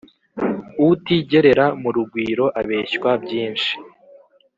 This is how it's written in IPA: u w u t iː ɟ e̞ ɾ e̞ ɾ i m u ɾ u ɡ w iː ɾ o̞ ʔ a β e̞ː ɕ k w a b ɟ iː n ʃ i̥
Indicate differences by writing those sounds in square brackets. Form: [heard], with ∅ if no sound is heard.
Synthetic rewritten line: u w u t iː ɟ e̞ ɾ e̞ ɾ [a] m u ɾ u ɡ w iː ɾ o̞ ʔ a β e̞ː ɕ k w a b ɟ iː n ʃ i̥